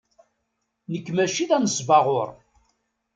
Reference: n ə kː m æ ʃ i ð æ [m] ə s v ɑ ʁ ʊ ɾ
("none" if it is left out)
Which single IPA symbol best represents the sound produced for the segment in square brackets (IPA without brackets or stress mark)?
n